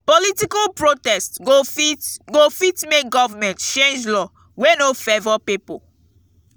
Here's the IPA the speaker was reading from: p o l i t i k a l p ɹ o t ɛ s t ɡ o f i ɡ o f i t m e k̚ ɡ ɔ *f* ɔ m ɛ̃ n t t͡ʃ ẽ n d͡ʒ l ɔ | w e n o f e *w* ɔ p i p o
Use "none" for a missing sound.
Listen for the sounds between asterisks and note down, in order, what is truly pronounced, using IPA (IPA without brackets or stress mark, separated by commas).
v, v